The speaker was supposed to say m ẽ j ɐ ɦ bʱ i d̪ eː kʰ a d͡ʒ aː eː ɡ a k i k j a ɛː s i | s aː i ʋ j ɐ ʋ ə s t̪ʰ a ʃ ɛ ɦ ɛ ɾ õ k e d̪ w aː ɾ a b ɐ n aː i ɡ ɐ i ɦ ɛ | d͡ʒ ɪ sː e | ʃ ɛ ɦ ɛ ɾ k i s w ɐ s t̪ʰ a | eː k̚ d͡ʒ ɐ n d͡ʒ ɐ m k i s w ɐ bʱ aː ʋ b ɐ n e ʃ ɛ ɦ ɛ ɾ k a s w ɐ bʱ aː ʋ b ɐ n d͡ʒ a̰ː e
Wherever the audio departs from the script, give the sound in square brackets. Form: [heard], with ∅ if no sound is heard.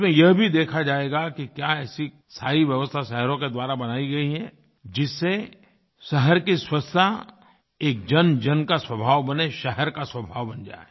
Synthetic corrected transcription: m ẽ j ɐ ɦ bʱ i d̪ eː kʰ a d͡ʒ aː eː ɡ a k i k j a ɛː s i | s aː i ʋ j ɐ ʋ ə s t̪ʰ a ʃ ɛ ɦ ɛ ɾ õ k e d̪ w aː ɾ a b ɐ n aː i ɡ ɐ i ɦ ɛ | d͡ʒ ɪ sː e | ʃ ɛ ɦ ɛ ɾ k i s w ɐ s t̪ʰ a | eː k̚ d͡ʒ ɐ n d͡ʒ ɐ [n] k [a] s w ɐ bʱ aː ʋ b ɐ n e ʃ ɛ ɦ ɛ ɾ k a s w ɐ bʱ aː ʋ b ɐ n d͡ʒ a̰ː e